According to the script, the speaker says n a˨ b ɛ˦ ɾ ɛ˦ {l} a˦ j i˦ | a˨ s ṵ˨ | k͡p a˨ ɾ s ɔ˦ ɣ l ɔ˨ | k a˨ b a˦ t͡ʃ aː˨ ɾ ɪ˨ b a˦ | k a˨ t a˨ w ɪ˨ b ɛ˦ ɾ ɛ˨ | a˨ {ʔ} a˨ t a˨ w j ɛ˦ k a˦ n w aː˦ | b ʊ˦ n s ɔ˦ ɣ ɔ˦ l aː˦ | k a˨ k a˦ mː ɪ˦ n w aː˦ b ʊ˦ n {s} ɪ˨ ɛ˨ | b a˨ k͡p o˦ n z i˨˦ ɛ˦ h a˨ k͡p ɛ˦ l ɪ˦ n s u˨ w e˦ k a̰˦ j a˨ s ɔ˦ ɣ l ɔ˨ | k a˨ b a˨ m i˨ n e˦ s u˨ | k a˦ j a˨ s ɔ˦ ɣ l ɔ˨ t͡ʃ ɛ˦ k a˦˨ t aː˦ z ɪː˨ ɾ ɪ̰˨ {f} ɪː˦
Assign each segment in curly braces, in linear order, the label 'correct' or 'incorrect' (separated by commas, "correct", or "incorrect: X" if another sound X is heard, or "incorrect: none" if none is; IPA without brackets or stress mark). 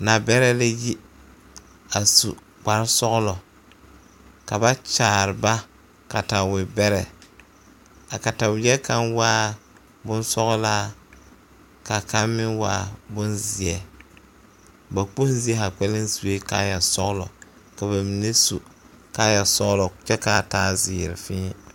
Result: correct, incorrect: k, incorrect: z, correct